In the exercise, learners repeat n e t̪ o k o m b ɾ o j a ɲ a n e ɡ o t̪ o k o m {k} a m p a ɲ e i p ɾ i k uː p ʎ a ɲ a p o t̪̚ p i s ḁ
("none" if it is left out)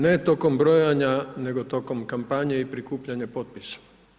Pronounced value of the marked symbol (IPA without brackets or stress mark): k